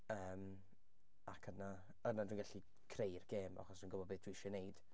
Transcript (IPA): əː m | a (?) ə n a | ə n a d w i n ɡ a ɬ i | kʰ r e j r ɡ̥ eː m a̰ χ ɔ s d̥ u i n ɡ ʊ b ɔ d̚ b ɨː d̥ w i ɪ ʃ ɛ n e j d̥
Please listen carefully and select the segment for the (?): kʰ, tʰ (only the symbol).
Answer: kʰ